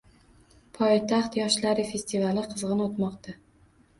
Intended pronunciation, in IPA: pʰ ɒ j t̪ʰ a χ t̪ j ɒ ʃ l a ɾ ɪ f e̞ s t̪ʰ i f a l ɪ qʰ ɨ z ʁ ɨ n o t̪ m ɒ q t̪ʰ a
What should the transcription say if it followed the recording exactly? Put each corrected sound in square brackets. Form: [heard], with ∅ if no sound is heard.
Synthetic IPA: pʰ ɒ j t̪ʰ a χ t̪ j ɒ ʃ l a ɾ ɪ f e̞ s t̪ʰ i [v] a l ɪ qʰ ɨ z ʁ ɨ n o t̪ m ɒ q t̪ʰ a